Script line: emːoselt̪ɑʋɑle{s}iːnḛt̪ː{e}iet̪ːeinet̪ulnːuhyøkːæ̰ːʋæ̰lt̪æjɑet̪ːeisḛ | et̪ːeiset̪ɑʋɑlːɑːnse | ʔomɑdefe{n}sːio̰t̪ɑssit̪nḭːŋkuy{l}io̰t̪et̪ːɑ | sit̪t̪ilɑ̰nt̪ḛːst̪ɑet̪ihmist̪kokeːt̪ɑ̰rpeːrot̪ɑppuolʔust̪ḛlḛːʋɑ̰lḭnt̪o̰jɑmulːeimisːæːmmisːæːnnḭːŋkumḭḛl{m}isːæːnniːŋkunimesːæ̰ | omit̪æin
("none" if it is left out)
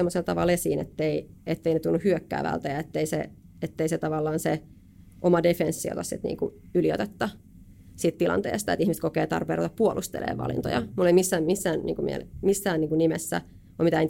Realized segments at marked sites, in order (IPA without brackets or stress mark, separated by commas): s, e, n, l, m